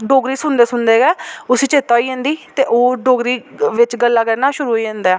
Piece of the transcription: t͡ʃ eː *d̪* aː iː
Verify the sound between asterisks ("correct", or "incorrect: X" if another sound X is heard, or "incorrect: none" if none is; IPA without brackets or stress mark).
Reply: incorrect: t̪